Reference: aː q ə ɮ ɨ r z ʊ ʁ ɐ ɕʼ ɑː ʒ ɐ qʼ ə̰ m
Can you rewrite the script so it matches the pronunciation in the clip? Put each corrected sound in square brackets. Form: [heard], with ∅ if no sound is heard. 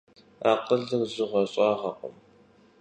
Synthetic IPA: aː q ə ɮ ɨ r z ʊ ʁ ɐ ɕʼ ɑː [ʁ] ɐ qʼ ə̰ m

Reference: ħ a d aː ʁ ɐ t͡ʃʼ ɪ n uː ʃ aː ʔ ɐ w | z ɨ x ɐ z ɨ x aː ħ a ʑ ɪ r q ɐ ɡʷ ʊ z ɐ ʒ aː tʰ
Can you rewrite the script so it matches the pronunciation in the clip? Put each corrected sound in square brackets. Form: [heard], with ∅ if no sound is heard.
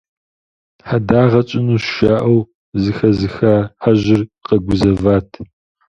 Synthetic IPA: ħ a d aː ʁ ɐ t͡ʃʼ ɪ n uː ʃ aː ʔ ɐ w | z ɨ x ɐ z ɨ x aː ħ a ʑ ɪ r q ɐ ɡʷ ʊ z ɐ [v] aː tʰ

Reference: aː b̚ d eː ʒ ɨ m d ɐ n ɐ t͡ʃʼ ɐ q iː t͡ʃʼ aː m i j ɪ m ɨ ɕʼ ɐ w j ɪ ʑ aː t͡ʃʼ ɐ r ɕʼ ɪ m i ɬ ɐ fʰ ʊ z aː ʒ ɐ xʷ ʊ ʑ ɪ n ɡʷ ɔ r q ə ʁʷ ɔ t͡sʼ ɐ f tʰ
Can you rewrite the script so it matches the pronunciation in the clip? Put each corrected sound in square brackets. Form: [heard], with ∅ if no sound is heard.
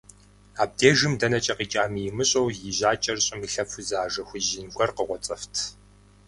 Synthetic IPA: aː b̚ d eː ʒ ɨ m d ɐ n ɐ t͡ʃʼ ɐ q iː t͡ʃʼ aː m i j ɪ m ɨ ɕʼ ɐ w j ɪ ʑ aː t͡ʃʼ ɐ r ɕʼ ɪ m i ɬ ɐ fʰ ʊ z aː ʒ ɐ xʷ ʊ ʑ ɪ n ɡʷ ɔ r q ə ʁʷ ɔ t͡sʼ ɐ f tʰ

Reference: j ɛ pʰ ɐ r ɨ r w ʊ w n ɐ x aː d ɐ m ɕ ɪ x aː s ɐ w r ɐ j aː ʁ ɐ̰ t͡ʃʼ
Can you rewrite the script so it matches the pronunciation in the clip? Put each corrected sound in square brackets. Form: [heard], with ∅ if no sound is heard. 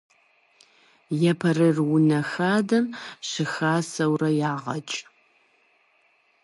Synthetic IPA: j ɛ pʰ ɐ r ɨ r w ʊ [∅] n ɐ x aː d ɐ m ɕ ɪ x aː s ɐ w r ɐ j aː ʁ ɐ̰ t͡ʃʼ

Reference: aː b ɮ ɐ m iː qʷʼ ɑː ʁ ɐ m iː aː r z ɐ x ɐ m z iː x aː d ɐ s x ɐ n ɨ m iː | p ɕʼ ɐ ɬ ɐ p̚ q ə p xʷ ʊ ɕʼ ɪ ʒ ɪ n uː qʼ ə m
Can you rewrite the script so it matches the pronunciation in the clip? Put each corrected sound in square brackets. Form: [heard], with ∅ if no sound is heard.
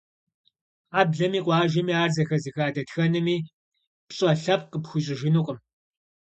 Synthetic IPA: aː b ɮ ɐ m iː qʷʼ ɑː [ʒ] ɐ m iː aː r z ɐ x ɐ [∅] z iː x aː d ɐ [t] x ɐ n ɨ m iː | p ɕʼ ɐ ɬ ɐ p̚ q ə p xʷ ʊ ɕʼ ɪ ʒ ɪ n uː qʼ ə m

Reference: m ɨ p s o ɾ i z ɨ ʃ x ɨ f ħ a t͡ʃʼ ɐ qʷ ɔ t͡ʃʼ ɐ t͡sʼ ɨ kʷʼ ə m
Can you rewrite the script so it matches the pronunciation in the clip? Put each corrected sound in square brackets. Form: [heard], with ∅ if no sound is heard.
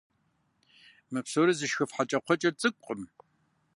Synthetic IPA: m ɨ p s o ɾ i z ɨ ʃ x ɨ f ħ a t͡ʃʼ ɐ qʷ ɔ t͡ʃʼ ɐ t͡sʼ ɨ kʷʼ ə m

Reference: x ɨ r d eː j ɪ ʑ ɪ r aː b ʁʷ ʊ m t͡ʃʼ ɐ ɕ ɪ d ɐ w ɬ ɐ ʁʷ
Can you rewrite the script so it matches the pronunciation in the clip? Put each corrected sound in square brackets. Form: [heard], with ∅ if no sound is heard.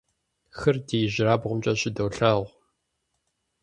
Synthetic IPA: x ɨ r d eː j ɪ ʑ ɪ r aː b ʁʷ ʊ m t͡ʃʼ ɐ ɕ ɪ d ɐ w ɬ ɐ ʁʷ

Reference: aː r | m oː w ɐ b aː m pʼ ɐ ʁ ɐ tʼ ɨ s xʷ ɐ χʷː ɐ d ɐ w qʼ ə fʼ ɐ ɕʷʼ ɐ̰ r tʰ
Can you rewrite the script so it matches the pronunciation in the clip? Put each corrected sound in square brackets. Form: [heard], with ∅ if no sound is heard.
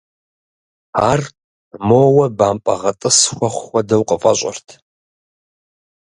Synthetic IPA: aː r | m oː w ɐ b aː m pʼ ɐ ʁ ɐ tʼ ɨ s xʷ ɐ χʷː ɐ d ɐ w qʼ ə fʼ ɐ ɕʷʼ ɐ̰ r tʰ

